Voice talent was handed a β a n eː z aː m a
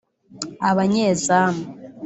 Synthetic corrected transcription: a β a ɲ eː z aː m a